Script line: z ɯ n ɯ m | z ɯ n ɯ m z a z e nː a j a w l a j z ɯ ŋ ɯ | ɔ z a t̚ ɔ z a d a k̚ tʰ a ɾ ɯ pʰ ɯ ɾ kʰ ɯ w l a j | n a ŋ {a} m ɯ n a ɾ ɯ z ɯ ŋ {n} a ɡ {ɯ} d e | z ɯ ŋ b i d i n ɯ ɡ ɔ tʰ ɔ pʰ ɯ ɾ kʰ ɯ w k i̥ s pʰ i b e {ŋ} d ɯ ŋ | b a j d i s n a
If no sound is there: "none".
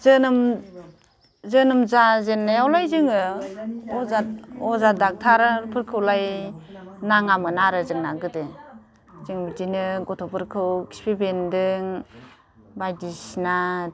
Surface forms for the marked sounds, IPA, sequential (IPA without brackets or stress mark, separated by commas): a, n, ɯ, n